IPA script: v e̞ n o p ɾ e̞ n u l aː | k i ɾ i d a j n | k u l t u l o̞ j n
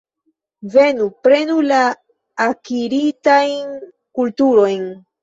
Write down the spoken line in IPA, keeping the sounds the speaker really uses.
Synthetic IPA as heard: v e̞ n u p ɾ e̞ n u l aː | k i ɾ i t a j n | k u l t u ɾ o̞ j n